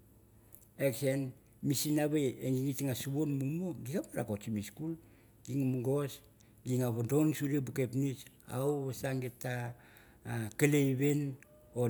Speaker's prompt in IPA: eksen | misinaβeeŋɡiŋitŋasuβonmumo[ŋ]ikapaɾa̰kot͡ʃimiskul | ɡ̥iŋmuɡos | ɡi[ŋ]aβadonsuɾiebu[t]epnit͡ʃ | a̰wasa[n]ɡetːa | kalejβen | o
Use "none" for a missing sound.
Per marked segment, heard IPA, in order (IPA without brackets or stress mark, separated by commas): ɡ, ŋ, k, ŋ